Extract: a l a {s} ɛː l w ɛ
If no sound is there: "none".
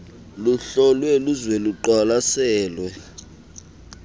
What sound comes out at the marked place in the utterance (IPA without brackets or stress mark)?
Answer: s